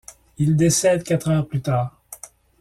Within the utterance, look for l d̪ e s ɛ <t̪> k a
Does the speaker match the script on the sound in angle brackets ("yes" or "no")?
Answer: no